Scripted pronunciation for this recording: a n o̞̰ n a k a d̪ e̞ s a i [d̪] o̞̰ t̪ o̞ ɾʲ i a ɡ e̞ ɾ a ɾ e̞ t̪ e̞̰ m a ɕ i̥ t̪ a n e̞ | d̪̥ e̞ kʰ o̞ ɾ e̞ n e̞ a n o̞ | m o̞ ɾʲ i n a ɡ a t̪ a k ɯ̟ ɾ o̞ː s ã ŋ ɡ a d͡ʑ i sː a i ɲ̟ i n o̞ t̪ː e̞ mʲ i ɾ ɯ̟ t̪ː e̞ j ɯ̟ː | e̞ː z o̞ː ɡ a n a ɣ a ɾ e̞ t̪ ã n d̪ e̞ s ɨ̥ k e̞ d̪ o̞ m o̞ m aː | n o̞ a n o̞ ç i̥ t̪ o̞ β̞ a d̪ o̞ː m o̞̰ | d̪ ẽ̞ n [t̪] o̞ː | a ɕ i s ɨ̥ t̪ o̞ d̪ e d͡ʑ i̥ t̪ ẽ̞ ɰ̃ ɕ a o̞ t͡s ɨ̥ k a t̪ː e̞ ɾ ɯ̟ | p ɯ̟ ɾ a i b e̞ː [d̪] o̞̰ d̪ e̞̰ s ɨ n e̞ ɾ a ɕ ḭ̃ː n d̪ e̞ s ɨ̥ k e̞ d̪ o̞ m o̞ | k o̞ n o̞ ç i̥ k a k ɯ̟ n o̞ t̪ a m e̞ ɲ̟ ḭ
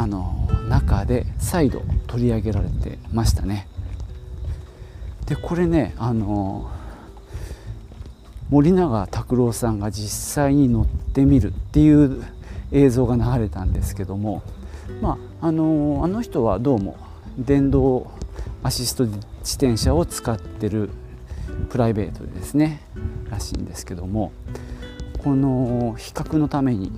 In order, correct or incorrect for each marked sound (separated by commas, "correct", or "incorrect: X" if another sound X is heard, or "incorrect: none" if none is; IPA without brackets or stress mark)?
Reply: correct, incorrect: d̪, incorrect: t̪